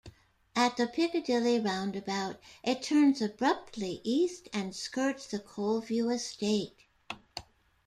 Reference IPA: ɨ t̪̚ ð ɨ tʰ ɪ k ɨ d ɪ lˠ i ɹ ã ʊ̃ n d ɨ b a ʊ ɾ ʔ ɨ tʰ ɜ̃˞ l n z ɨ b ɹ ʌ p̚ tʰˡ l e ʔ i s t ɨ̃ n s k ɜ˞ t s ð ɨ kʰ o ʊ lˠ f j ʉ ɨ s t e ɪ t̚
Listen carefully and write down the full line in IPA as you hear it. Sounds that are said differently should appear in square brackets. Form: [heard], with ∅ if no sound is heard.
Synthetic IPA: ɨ t̪̚ ð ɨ [pʰ] ɪ k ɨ d ɪ lˠ i ɹ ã ʊ̃ n d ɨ b a ʊ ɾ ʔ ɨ tʰ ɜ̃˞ [∅] n z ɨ b ɹ ʌ p̚ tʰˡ l [i] ʔ i s t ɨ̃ n s k ɜ˞ t s ð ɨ kʰ o ʊ lˠ [v] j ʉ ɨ s t e ɪ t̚